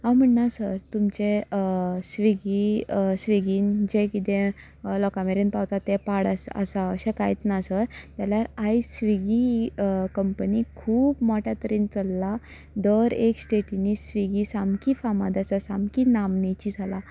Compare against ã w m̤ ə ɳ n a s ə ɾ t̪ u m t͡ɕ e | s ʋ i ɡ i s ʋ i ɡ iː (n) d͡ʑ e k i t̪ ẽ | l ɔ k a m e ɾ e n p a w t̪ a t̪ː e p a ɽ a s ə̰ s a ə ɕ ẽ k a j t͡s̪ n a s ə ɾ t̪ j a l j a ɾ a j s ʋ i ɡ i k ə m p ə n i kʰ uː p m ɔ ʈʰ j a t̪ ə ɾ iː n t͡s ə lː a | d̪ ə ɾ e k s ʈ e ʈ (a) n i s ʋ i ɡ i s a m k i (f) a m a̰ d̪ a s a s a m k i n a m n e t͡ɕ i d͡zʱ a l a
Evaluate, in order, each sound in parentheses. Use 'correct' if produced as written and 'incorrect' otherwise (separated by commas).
correct, incorrect, correct